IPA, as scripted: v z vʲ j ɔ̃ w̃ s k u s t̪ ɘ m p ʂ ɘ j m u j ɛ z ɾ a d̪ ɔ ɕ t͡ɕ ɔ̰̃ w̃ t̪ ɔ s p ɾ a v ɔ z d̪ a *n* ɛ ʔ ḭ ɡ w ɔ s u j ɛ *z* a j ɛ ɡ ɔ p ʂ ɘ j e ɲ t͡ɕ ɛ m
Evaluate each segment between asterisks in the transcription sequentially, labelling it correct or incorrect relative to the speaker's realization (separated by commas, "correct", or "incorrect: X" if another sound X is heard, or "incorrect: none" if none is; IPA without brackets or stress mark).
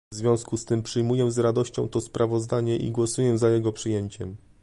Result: incorrect: ɲ, correct